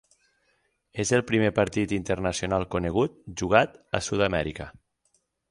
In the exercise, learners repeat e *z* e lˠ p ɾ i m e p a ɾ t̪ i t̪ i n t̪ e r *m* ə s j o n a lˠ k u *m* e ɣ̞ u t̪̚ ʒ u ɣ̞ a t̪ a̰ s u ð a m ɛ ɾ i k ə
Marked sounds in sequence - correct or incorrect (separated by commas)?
correct, incorrect, incorrect